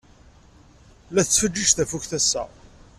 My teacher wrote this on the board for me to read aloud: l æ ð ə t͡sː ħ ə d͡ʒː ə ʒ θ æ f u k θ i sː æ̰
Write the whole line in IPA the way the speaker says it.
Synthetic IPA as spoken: l æ θ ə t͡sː f ə d͡ʒː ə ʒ θ æ f u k θ æ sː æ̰